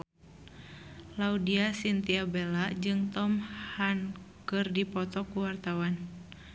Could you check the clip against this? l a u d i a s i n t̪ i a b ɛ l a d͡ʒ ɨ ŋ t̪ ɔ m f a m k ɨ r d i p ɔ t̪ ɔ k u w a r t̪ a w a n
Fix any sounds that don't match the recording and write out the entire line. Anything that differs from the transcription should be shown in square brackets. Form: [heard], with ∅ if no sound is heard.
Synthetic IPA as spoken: l a u d i a s i n t̪ i a b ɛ l a d͡ʒ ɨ ŋ t̪ ɔ m [h] a [n] k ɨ r d i p ɔ t̪ ɔ k u w a r t̪ a w a n